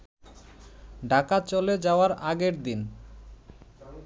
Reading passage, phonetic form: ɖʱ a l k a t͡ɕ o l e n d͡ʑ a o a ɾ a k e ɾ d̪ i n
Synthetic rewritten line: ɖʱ a k a t͡ɕ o l e d͡ʑ a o a ɾ a ɡ e ɾ d̪ i n

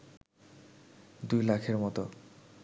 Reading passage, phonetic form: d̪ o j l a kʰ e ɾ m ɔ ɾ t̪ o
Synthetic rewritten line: d̪ u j l a kʰ e ɾ m ɔ t̪ o

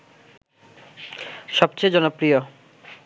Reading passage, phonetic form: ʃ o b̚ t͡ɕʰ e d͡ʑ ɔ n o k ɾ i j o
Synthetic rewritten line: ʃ ɔ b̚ t͡ɕ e d͡ʑ ɔ n o p ɾ i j o

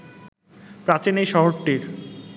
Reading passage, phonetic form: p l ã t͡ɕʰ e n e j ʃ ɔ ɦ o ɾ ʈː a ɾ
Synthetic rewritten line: p ɾ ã t͡ɕ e n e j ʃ ɔ ɦ o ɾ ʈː i ɾ

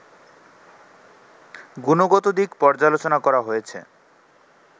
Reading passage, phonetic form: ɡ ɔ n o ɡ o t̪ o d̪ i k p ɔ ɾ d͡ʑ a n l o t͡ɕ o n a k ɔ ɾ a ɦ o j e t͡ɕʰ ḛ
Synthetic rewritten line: ɡ u n o ɡ o t̪ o d̪ i k p ɔ ɾ d͡ʑ a l o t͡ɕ o n a k ɔ ɾ a ɦ o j e t͡ɕʰ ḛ

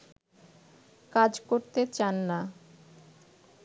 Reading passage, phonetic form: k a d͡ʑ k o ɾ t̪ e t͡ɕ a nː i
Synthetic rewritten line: k a d͡ʑ k o ɾ t̪ e t͡ɕ a nː a

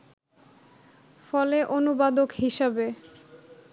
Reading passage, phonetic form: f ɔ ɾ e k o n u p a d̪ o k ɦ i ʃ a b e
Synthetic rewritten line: f ɔ l e ʔ o n u b a d̪ o k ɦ i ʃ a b e

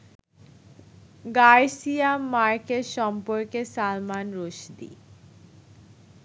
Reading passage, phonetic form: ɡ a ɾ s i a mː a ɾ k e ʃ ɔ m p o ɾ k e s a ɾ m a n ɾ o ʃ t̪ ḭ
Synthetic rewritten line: ɡ a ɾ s i a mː a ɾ k e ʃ ɔ m p o ɾ k e s a l m a n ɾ o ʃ d̪ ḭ

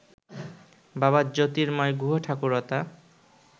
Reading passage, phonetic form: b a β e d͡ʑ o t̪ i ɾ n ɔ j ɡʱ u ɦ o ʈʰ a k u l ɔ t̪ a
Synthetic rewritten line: b a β a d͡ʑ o t̪ i ɾ m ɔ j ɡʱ u ɦ o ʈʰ a k u ɾ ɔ t̪ a

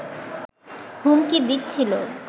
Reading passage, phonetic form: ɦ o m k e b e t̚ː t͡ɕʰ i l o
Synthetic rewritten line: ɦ u m k i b i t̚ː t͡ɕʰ i l o

